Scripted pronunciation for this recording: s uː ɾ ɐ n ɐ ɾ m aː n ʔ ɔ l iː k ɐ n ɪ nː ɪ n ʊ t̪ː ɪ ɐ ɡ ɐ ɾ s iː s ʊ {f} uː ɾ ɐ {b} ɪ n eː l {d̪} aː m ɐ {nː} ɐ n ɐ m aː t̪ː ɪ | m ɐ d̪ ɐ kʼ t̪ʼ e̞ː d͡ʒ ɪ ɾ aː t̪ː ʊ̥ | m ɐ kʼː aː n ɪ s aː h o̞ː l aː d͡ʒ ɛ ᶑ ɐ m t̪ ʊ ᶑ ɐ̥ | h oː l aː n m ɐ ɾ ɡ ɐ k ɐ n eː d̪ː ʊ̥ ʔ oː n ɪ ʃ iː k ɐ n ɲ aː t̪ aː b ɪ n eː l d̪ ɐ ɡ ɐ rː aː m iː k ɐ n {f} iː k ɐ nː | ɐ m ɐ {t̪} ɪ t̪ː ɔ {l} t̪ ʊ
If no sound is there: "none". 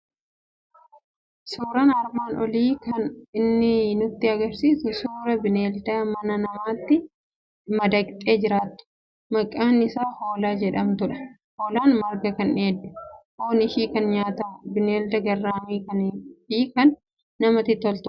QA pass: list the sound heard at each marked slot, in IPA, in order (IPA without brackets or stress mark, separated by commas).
s, b, d̪, n, f, t̪, l